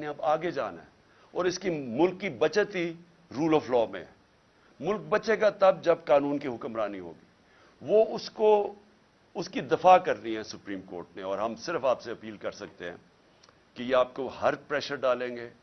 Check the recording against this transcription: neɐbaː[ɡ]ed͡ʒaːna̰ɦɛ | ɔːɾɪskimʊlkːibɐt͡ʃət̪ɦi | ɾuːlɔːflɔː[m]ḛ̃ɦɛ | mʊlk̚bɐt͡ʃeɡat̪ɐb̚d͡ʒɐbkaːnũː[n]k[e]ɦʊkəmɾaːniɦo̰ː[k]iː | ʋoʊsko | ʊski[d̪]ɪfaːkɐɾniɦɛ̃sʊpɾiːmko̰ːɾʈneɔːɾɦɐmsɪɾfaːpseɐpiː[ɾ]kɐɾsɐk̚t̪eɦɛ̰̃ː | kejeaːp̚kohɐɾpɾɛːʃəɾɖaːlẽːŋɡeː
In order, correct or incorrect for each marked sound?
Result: correct, correct, correct, incorrect, incorrect, correct, incorrect

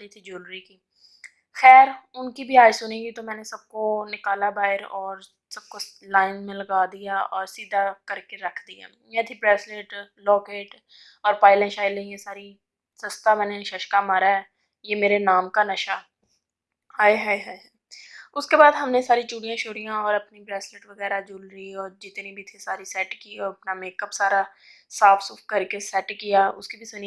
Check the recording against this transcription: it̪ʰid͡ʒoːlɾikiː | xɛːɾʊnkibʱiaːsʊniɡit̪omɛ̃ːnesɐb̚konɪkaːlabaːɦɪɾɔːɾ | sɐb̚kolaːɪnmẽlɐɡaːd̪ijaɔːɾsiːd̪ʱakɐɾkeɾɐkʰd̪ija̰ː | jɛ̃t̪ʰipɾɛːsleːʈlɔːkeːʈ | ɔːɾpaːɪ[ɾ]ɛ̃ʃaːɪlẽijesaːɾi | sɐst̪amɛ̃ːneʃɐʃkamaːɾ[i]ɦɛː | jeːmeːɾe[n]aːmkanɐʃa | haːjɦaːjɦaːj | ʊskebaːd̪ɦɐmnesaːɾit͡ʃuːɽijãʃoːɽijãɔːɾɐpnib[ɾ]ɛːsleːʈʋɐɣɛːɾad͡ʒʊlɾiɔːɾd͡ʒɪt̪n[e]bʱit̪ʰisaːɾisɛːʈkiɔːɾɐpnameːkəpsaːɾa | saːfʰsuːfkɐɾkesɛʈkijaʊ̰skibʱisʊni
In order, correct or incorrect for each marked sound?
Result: incorrect, incorrect, correct, correct, incorrect

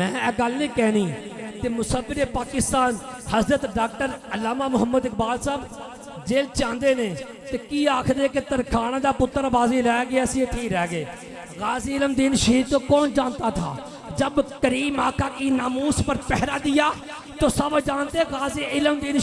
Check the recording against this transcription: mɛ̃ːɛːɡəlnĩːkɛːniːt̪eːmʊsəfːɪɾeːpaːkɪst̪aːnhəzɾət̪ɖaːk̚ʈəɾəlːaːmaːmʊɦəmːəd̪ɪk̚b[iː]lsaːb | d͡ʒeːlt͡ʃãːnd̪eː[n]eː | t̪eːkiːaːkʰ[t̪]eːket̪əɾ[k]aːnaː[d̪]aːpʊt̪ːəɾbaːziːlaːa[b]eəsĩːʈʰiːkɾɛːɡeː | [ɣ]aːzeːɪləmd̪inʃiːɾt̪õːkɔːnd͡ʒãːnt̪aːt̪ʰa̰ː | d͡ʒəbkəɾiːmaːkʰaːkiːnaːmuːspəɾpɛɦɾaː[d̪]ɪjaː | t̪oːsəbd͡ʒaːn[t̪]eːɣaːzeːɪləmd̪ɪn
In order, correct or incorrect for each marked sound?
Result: incorrect, correct, incorrect, incorrect, correct, incorrect, correct, correct, correct

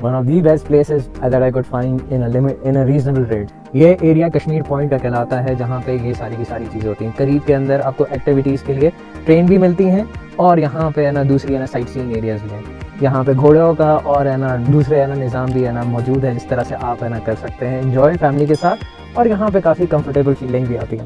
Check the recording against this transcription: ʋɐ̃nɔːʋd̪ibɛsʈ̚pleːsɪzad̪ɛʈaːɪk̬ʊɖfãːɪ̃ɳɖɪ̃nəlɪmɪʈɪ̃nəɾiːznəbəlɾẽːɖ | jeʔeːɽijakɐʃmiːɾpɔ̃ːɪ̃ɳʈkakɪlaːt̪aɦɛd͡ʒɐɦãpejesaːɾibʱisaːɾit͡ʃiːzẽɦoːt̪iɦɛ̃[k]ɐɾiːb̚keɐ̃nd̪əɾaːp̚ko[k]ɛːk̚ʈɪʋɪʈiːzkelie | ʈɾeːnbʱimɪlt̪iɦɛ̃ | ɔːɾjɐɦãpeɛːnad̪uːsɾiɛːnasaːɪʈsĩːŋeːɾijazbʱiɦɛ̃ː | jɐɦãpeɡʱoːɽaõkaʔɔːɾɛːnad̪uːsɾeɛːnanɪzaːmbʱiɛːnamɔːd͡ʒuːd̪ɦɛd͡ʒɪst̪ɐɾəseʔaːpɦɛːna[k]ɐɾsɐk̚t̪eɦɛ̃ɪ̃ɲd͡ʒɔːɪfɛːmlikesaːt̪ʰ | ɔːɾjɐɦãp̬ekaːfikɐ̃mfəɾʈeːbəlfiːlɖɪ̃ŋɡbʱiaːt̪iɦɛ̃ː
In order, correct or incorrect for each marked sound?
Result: correct, incorrect, correct

